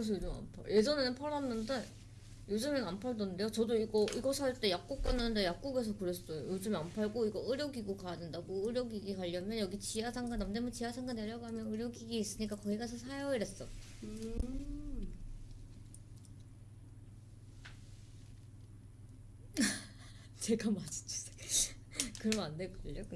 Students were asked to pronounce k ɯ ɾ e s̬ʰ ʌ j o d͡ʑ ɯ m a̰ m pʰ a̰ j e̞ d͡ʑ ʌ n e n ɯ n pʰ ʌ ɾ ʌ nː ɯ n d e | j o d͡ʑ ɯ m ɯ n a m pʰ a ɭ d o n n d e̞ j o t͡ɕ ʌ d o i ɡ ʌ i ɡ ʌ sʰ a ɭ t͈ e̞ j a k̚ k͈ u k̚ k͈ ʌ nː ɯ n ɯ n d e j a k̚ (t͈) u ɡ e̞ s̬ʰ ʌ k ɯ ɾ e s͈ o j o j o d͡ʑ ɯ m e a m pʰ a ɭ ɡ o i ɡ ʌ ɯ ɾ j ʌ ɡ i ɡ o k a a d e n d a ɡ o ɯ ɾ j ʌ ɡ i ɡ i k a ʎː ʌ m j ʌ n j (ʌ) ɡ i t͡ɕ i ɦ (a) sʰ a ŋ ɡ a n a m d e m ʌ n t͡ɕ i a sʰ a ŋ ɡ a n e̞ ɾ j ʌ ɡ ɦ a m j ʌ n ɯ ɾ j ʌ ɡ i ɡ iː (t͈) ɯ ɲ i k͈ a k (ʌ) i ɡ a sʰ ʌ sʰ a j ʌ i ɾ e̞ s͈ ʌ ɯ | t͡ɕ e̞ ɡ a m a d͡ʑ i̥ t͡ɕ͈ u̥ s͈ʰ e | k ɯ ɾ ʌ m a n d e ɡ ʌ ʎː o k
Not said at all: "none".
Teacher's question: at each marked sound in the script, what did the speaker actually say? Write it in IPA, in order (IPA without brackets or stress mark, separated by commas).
k͈, ʌ, a, s͈, ʌ